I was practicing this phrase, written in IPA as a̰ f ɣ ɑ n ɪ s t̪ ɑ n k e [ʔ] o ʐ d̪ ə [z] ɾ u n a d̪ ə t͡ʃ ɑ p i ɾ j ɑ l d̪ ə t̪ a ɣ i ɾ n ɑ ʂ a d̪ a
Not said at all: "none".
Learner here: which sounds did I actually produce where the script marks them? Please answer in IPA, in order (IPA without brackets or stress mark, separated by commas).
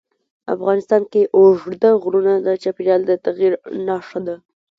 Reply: ʔ, ɣ